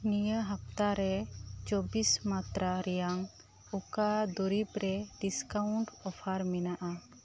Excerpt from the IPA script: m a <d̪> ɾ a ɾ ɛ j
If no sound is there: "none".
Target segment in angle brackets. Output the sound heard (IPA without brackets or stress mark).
t̪